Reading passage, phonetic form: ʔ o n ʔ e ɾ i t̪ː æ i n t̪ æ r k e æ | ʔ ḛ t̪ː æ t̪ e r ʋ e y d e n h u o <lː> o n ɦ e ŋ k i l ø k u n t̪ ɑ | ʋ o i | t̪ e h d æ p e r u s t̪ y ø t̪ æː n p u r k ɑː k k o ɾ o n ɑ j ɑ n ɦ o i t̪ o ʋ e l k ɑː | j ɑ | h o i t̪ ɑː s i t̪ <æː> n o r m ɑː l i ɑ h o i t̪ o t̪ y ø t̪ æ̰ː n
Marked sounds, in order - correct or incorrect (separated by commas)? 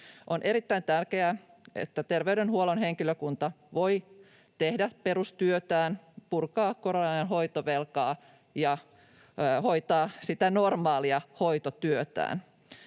incorrect, incorrect